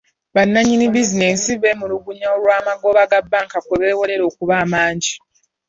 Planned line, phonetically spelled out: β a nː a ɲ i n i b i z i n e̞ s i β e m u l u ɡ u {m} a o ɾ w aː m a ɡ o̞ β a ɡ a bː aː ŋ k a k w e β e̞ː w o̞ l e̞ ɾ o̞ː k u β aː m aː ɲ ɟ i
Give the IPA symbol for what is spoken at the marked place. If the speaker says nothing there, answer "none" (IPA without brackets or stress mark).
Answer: ɲ